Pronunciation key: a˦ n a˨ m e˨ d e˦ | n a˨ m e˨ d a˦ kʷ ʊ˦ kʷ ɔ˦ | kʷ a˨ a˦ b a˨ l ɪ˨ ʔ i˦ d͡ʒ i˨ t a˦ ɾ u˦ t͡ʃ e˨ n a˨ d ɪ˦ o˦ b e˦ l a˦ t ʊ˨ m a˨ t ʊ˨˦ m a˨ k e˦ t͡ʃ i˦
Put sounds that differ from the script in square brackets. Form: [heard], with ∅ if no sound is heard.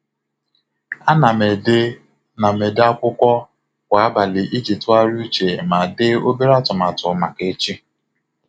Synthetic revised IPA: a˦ n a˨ m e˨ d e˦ | n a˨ m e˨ d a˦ kʷ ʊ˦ kʷ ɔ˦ | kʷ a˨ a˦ b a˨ l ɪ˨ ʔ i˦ d͡ʒ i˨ t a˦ ɾ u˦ t͡ʃ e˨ [m] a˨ d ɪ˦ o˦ b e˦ [ɾ] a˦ t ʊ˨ m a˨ t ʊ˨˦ m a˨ k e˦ t͡ʃ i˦